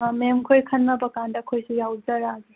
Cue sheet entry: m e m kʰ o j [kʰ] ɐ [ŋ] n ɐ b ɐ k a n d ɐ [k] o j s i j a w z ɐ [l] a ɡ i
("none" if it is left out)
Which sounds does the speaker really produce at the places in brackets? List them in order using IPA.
kʰ, n, kʰ, ɾ

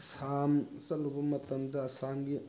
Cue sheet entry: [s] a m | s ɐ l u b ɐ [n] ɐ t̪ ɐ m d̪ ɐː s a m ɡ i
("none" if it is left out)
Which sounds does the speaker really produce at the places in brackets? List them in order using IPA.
s, m

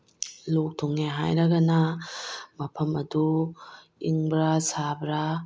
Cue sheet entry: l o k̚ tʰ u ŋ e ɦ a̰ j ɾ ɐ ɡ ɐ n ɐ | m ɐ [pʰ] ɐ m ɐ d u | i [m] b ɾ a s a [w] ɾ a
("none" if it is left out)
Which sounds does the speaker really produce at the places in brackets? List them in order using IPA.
pʰ, ŋ, b

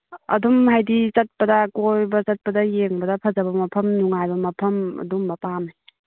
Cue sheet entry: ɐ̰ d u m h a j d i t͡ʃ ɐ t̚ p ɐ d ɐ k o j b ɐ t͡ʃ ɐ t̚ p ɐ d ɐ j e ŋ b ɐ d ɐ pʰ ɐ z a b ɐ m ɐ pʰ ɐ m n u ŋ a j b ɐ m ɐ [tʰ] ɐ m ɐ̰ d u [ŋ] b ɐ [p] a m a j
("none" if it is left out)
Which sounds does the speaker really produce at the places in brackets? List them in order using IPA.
pʰ, m, p

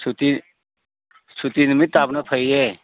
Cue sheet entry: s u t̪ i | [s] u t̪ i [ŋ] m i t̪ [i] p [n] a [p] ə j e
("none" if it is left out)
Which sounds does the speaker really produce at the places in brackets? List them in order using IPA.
s, n, a, n, pʰ

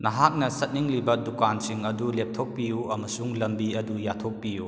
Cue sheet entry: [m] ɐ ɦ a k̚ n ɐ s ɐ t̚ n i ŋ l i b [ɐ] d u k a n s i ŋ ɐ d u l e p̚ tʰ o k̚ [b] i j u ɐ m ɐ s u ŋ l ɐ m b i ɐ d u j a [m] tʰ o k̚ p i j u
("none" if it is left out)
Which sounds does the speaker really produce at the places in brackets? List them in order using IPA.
n, ɐ, p, none

